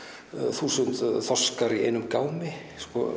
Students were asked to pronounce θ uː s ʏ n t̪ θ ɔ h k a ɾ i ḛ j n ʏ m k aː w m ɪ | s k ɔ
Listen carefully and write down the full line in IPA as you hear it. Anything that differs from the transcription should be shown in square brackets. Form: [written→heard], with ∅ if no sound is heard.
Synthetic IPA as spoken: θ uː s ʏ n t̪ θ ɔ [h→s] k a ɾ i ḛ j n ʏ m k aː w m ɪ | s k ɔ